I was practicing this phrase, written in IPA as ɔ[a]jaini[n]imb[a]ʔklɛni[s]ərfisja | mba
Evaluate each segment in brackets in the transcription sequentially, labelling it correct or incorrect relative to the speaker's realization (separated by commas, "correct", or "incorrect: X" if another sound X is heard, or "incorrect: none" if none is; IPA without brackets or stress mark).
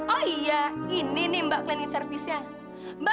incorrect: i, correct, correct, correct